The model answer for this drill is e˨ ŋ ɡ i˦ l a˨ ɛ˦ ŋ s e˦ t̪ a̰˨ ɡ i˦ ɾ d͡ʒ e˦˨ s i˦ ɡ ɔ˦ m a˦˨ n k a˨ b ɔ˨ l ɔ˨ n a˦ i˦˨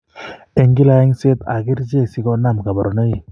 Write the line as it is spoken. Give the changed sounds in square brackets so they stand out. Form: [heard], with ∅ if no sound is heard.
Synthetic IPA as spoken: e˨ ŋ ɡ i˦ l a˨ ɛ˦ ŋ s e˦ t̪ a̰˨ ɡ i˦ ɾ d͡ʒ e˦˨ s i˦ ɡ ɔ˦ [n] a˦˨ [m] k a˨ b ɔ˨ [ɾ] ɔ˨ n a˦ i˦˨